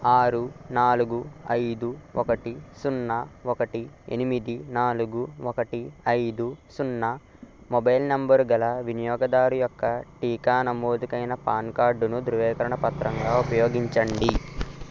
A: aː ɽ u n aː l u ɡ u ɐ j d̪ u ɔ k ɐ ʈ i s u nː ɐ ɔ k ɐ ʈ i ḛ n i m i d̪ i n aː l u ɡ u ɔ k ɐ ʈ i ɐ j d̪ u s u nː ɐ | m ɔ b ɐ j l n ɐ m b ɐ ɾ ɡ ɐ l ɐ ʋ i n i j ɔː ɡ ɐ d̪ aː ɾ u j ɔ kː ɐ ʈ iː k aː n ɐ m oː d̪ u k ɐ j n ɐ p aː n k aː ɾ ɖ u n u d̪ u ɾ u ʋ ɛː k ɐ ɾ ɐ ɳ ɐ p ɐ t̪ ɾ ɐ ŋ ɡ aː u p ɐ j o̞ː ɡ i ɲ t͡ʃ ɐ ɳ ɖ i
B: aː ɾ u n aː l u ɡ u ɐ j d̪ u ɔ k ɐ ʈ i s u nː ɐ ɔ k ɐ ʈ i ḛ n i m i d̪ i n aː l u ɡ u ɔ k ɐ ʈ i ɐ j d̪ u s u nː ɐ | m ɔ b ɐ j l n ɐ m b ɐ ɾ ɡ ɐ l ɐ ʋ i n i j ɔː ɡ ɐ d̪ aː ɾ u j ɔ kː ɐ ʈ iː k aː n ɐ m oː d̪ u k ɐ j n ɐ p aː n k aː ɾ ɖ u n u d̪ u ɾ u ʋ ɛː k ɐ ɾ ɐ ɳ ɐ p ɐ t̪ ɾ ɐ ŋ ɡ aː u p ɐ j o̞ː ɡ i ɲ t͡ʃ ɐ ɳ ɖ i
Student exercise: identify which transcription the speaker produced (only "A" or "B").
B